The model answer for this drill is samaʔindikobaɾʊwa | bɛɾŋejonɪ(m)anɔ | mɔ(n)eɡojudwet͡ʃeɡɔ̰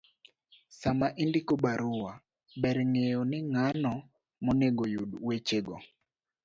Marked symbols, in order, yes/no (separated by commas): no, yes